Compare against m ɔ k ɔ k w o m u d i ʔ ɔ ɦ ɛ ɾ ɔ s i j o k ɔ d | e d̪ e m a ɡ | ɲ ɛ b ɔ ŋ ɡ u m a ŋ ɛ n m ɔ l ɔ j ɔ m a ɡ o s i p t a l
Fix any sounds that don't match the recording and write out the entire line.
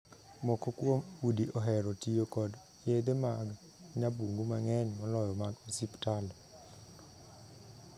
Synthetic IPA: m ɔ k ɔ k w o m u d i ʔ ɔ ɦ ɛ ɾ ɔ t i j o k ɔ d | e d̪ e m a ɡ | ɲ a b u ŋ ɡ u m a ŋ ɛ n m ɔ l ɔ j ɔ m a ɡ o s i p t a l